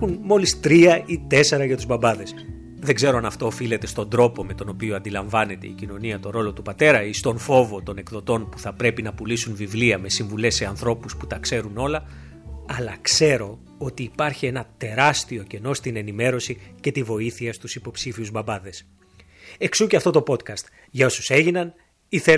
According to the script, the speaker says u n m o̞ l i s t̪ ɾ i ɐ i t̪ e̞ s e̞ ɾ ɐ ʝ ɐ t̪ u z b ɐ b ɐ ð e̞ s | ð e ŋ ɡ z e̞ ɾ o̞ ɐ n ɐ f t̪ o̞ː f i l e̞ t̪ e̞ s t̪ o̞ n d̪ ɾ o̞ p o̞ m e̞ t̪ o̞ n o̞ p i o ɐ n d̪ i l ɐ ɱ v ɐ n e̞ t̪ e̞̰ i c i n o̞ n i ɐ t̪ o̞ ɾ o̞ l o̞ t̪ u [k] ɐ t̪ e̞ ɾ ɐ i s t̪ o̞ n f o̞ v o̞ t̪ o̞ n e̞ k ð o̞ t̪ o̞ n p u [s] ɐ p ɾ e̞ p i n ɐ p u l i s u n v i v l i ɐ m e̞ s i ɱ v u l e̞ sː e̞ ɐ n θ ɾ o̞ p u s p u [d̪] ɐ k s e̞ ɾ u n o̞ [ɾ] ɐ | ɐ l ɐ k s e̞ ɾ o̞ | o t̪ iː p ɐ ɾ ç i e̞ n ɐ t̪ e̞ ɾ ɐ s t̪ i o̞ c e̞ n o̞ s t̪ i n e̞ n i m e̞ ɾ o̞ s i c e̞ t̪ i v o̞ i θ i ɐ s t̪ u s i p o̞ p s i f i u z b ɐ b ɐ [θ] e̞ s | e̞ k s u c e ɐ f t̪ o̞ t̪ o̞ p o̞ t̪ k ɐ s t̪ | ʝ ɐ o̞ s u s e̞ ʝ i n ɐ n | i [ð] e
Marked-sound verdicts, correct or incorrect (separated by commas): incorrect, incorrect, incorrect, incorrect, incorrect, incorrect